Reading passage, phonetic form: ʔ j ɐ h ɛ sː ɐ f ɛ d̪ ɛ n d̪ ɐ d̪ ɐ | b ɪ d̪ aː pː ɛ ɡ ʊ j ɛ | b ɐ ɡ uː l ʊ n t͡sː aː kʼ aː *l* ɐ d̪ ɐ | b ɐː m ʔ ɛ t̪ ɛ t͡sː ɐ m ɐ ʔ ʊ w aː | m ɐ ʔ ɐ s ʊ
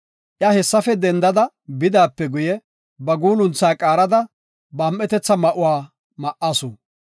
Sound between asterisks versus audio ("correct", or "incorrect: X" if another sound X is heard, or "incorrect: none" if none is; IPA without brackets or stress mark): incorrect: ɾ